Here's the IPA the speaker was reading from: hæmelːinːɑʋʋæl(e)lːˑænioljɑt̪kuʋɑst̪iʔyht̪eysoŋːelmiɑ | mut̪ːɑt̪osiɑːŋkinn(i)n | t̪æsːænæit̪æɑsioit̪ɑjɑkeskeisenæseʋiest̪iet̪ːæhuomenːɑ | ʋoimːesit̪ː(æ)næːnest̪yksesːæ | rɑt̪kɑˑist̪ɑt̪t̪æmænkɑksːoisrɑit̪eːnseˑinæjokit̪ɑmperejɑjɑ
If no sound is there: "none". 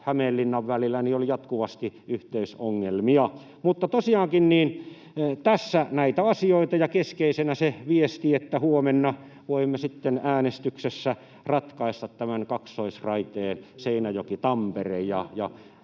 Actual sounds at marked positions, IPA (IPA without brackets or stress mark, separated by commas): i, iː, e